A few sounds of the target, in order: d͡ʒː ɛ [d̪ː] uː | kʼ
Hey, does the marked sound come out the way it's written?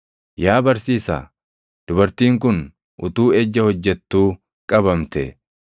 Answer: no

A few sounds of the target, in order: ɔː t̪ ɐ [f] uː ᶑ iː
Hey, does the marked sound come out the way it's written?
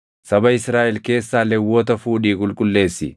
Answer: yes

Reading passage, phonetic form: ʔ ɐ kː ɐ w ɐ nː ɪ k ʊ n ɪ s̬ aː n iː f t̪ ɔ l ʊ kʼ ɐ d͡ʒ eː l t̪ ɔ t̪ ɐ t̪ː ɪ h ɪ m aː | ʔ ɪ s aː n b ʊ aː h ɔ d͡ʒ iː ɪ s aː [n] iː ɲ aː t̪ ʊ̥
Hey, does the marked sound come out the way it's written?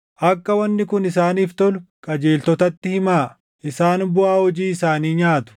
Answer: yes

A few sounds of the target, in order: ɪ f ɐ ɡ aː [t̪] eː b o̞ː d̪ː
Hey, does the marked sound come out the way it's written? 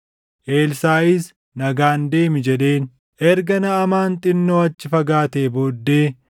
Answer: yes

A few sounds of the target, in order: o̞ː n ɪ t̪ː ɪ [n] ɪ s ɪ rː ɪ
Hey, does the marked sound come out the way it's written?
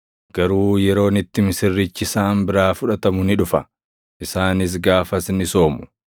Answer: no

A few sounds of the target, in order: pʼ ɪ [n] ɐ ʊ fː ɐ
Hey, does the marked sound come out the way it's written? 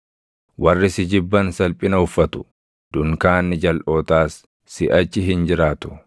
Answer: yes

